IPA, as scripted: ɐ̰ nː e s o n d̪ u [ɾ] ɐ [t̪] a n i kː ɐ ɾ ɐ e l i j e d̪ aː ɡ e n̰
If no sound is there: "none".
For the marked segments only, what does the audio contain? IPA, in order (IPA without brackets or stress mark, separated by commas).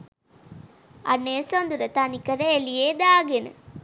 ɾ, t̪